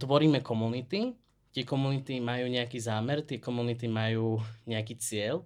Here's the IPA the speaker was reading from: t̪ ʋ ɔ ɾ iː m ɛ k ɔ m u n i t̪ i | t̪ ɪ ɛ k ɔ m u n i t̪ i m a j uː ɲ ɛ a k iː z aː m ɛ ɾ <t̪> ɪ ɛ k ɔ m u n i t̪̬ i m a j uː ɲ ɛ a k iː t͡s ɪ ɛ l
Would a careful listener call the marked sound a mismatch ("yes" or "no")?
no